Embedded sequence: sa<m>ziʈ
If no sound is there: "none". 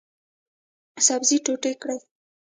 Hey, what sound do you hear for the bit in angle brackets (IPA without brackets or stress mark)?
b